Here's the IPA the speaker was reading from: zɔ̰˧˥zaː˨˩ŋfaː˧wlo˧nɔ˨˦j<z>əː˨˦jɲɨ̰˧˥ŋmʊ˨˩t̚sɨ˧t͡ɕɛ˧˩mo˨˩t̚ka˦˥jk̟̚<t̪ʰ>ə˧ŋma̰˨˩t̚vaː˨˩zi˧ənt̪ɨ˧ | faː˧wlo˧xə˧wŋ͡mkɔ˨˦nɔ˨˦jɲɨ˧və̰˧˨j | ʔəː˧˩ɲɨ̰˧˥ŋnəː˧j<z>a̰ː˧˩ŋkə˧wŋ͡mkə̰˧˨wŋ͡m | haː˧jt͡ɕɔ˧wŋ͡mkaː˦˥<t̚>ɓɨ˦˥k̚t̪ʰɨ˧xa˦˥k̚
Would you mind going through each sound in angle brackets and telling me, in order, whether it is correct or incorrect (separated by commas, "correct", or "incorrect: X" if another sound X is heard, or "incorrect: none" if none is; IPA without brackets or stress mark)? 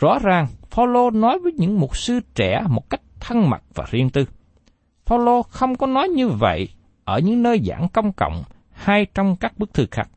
incorrect: v, correct, correct, incorrect: k̚